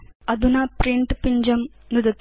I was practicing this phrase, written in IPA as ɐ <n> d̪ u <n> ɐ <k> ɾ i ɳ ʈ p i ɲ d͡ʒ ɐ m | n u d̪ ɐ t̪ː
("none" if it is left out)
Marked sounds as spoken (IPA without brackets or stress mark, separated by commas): none, n, p